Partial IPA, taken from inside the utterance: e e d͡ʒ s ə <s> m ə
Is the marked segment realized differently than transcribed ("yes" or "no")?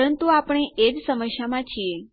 yes